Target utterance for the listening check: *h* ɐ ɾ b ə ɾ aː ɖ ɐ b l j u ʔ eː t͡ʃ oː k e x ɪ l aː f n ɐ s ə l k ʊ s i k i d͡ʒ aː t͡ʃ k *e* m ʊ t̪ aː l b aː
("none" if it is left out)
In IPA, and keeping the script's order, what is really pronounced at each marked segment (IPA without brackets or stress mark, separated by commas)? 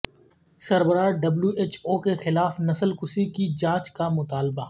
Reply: s, a